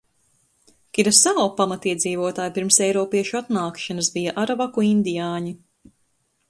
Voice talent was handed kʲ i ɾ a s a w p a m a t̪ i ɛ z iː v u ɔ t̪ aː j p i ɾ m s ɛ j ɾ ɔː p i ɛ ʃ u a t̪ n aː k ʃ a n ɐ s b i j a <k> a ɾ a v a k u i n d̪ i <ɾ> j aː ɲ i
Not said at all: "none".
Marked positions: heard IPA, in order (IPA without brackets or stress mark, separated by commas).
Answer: ʔ, none